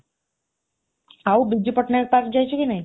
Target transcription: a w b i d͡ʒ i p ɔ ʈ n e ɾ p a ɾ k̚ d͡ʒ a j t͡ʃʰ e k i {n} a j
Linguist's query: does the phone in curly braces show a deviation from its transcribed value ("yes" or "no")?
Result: no